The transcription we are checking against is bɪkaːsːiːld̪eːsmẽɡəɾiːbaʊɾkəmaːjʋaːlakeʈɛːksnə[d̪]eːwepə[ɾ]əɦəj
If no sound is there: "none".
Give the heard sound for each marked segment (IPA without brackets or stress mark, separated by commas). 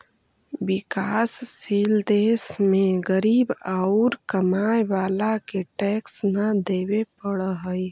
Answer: d̪, ɽ